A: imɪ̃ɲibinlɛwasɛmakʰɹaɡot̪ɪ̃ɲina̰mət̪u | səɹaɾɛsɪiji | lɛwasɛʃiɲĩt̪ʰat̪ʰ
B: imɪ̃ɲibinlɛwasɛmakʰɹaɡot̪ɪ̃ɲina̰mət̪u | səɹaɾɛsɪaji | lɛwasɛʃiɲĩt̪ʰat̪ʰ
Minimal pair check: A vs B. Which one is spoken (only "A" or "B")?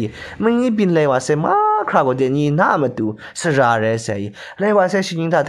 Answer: B